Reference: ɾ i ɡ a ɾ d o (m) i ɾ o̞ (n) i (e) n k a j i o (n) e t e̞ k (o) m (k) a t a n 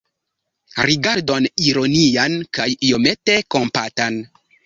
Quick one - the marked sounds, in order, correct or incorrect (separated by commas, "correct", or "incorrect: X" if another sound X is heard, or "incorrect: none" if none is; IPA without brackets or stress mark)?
incorrect: n, correct, incorrect: a, incorrect: m, correct, incorrect: p